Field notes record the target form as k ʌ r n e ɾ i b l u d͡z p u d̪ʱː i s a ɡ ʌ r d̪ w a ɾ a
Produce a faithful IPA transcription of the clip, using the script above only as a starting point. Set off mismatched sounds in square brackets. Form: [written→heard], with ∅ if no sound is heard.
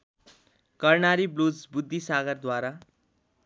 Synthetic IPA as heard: k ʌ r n [e→a] ɾ i b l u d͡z [p→b] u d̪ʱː i s a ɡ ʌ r d̪ w a ɾ a